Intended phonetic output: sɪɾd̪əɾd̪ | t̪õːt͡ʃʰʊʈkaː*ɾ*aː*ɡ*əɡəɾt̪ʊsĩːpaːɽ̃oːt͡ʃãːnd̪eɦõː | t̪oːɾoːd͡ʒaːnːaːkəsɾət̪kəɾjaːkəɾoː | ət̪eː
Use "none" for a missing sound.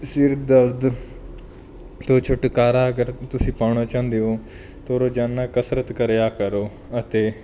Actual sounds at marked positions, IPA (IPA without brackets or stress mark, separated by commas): ɾ, none